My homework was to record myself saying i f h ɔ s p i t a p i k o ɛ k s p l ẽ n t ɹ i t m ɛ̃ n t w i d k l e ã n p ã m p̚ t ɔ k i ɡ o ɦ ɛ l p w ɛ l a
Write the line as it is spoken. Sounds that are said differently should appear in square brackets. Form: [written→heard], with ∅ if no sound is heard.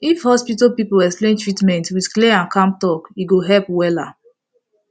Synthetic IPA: i f h ɔ s p i t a p i [k→p] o ɛ k s p l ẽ n t ɹ i t m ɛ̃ n t w i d k l e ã n [p→k] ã m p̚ t ɔ k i ɡ o ɦ ɛ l p w ɛ l a